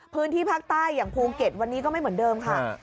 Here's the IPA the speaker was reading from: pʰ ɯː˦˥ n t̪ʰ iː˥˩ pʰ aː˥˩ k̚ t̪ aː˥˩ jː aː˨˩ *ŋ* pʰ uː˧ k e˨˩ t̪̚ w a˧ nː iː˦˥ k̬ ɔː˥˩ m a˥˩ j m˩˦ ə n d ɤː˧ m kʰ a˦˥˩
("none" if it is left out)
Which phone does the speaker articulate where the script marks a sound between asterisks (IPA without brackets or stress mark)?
ŋ